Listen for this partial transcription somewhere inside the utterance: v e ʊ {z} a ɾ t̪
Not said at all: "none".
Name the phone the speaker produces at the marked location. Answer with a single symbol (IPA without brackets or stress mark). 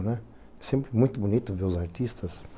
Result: z